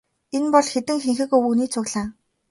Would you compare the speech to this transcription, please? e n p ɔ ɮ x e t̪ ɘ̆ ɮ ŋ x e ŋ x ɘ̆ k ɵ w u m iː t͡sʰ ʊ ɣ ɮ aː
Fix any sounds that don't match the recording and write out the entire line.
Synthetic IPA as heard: e n p ɔ ɮ x e t̪ ɘ̆ ŋ x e ŋ x ɘ̆ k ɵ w u n iː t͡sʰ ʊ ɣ ɮ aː